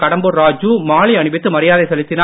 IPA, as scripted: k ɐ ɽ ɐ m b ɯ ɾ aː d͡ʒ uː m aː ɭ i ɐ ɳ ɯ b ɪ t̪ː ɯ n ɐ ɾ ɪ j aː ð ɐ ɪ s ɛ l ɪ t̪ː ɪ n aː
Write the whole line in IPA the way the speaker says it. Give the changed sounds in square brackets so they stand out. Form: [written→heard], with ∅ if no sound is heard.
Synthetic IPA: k ɐ ɽ ɐ m b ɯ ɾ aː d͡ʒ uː m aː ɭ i ɐ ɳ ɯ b ɪ t̪ː ɯ [n→m] ɐ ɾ ɪ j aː ð ɐ ɪ s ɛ l ɪ t̪ː ɪ n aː